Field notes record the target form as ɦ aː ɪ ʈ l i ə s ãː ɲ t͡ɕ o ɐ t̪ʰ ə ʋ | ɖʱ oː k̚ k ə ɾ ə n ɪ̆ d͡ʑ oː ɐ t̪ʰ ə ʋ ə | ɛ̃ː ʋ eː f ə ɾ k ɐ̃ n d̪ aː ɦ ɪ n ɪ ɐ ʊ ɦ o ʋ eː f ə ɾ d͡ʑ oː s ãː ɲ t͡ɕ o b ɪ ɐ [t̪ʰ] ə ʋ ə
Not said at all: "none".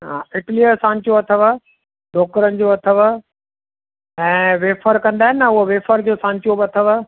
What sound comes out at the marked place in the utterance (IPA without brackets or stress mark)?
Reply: t̪ʰ